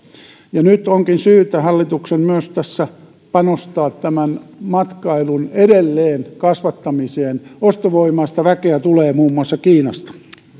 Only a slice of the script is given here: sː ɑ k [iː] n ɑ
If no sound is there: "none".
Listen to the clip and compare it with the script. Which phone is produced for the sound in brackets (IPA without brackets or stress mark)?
iː